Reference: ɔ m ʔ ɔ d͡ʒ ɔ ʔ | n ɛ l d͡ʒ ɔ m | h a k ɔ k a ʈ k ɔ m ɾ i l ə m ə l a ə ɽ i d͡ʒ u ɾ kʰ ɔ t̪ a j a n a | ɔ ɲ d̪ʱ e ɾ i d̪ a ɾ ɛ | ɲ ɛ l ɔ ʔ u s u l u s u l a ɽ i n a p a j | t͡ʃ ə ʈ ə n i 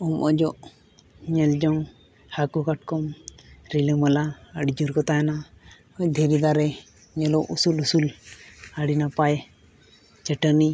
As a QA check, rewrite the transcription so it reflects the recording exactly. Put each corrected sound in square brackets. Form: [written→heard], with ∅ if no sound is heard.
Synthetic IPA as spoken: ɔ m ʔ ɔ d͡ʒ ɔ ʔ | [n→ɲ] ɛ l d͡ʒ ɔ [m→ŋ] | h a k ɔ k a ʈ k ɔ m ɾ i l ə m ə l a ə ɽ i d͡ʒ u ɾ [kʰ→k] ɔ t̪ a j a n a | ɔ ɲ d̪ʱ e ɾ i d̪ a ɾ ɛ | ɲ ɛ l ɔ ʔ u s u l u s u l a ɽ i n a p a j | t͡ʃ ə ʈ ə n i